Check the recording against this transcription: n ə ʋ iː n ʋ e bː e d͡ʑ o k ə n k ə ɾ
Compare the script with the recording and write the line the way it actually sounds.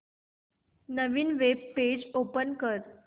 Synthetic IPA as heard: n ə ʋ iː n ʋ e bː e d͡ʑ o p ə n k ə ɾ

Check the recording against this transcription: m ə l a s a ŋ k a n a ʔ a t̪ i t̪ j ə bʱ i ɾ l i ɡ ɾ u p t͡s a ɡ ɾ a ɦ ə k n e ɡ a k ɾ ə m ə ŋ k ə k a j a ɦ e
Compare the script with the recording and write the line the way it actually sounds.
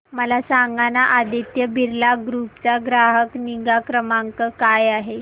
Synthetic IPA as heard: m ə l a s a ŋ ɡ a n a ʔ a d̪ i t̪ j ə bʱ i ɾ l a ɡ ɾ u p t͡s a ɡ ɾ a ɦ ə k n i ɡ a k ɾ ə m a ŋ k ə k a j a ɦ e

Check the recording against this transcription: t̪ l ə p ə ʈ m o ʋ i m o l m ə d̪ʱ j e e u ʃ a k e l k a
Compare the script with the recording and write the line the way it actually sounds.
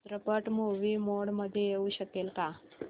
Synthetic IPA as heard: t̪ ɾ ə p ə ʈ m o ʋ i m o ɽ m ə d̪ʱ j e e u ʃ ə k e l k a

